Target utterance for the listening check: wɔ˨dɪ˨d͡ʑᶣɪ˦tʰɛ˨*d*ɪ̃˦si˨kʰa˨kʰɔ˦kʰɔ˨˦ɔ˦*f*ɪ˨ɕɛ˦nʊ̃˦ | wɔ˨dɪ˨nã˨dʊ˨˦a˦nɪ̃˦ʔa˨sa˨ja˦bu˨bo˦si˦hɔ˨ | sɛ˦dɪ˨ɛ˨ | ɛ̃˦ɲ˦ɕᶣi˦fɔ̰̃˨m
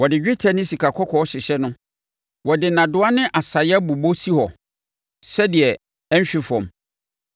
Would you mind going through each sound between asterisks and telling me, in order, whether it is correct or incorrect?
incorrect, incorrect

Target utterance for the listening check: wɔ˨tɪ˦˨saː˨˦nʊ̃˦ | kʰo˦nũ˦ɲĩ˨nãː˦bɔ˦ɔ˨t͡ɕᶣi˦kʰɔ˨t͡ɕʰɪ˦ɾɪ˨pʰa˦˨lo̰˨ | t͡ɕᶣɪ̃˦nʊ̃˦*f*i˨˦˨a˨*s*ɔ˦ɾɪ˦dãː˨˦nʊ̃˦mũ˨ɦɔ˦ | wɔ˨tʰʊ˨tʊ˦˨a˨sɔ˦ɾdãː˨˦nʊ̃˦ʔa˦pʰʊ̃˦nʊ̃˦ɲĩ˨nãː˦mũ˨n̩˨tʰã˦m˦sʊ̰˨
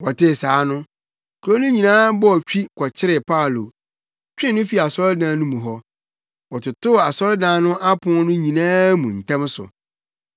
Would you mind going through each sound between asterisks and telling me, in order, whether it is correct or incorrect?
correct, correct

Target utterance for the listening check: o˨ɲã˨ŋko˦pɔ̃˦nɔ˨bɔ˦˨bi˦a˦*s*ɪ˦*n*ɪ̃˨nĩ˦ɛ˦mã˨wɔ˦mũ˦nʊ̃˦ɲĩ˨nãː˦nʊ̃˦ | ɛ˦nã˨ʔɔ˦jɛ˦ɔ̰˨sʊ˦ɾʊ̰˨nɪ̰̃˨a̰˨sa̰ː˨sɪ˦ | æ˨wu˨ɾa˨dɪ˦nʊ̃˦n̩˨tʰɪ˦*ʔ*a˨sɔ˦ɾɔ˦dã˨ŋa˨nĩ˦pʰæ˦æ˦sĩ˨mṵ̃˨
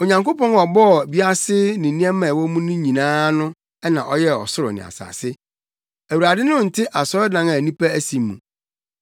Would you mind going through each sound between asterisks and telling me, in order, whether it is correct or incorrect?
correct, correct, correct

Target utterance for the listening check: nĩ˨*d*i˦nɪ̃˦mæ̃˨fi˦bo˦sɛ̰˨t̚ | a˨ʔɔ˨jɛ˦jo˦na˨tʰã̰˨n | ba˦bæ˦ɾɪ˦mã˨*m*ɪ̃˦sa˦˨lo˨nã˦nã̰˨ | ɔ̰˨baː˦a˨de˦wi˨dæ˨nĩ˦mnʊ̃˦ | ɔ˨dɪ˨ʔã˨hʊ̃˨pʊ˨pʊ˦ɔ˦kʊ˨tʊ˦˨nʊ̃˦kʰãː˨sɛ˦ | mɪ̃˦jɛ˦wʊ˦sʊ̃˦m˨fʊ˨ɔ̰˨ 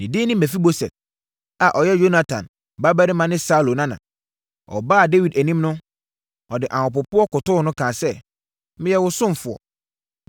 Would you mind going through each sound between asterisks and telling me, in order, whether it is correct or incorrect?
correct, incorrect

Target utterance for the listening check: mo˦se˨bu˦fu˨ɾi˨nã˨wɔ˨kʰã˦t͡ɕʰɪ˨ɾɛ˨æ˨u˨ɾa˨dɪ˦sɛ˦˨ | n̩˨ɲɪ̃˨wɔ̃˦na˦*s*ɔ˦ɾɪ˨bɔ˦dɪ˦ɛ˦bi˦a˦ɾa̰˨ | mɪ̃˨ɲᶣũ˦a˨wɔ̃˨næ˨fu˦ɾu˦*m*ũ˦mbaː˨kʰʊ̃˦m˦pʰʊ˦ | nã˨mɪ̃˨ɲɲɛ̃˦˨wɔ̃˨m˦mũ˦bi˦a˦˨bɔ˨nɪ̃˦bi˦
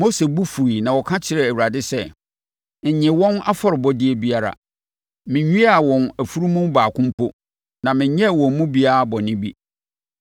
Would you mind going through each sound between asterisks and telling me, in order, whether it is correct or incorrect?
incorrect, correct

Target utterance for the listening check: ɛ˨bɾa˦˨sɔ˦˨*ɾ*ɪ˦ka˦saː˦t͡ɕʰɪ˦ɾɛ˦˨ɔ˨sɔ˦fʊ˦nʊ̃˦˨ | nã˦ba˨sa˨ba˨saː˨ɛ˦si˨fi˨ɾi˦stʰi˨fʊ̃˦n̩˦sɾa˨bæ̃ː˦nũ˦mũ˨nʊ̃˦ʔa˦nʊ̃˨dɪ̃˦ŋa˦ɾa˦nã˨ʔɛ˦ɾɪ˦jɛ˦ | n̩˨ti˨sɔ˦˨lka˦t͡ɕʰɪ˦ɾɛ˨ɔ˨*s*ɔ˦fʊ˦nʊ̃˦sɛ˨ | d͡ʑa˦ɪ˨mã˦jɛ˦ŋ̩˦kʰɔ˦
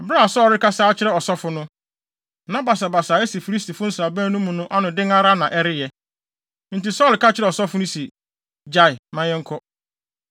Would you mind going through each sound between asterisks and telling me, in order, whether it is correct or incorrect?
correct, correct

